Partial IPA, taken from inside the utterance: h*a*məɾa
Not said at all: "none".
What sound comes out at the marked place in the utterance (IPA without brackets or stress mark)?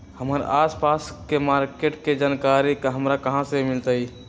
ə